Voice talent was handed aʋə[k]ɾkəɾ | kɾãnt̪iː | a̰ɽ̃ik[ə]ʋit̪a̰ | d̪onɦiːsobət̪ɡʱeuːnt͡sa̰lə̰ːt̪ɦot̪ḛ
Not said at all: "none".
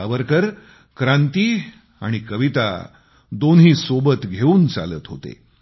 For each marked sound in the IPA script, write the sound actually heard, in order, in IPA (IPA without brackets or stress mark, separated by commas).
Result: none, ə